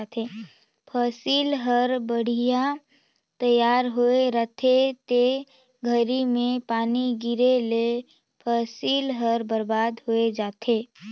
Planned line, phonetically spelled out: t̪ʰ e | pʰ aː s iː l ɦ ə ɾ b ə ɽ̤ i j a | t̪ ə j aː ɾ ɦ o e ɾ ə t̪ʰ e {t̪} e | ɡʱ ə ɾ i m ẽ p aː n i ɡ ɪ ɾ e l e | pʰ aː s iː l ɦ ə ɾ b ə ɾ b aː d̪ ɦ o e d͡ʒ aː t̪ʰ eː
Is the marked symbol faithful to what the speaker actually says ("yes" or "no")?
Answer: yes